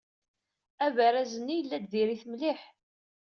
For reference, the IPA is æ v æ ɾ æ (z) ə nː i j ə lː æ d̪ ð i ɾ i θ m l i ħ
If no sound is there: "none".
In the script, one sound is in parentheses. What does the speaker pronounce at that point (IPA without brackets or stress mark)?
z